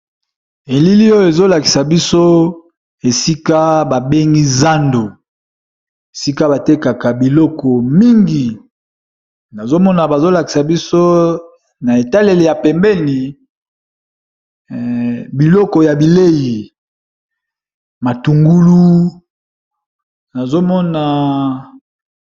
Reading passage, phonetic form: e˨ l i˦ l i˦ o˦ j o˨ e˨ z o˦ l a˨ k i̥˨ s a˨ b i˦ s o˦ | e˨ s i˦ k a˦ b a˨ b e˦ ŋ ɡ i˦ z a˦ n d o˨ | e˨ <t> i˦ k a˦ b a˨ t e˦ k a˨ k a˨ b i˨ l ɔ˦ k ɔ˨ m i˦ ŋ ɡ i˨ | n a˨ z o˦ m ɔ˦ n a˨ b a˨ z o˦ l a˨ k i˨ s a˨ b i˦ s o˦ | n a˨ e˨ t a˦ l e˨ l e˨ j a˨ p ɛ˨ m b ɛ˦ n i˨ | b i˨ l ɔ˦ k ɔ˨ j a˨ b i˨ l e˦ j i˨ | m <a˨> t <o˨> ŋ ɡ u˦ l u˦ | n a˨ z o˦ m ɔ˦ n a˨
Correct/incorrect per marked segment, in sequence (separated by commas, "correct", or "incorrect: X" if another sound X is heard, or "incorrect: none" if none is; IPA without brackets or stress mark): incorrect: s, correct, incorrect: u˨